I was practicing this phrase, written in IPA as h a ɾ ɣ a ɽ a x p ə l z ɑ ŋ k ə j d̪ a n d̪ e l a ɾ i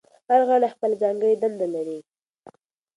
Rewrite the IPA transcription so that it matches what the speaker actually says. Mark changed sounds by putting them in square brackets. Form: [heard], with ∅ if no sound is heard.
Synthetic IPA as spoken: h a ɾ ɣ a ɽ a x p ə l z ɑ ŋ [ɡ] ə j d̪ a n d̪ [a] l a ɾ i